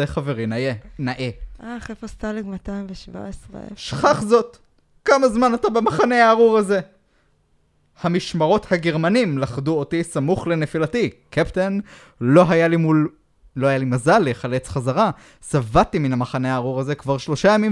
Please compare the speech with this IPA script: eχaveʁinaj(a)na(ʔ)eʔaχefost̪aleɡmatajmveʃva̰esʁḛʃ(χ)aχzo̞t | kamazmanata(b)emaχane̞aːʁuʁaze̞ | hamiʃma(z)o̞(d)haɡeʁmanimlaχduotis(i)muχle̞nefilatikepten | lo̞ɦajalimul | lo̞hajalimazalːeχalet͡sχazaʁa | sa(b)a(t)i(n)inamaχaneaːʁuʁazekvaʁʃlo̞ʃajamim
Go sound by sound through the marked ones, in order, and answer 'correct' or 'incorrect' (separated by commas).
incorrect, correct, correct, correct, incorrect, incorrect, incorrect, incorrect, correct, incorrect